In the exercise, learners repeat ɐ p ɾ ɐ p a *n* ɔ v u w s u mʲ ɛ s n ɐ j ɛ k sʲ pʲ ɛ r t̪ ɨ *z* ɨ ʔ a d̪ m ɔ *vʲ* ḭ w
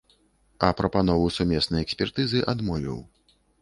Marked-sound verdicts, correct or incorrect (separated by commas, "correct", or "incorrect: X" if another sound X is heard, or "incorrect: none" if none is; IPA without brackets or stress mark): correct, correct, correct